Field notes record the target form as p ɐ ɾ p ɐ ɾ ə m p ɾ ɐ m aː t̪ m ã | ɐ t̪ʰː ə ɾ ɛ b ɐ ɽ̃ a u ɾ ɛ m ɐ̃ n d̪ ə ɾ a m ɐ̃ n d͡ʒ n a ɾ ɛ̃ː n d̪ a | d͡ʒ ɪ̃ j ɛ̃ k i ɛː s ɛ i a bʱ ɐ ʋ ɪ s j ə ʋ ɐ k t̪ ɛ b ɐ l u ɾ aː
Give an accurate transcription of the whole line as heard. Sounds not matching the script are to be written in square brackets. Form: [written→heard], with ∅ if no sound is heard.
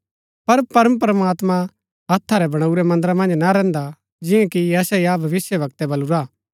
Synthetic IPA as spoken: p ɐ ɾ p ɐ ɾ ə m p ɾ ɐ m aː t̪ m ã | ɐ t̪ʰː [ə→a] ɾ ɛ b ɐ ɽ̃ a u ɾ ɛ m ɐ̃ n d̪ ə ɾ a m ɐ̃ n d͡ʒ n a ɾ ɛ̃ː n d̪ a | d͡ʒ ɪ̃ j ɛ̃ k i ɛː s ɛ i a bʱ ɐ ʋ ɪ s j ə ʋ ɐ k t̪ ɛ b ɐ l u ɾ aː